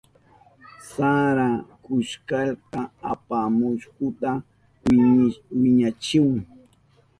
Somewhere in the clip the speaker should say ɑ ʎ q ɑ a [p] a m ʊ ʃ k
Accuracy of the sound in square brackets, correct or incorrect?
correct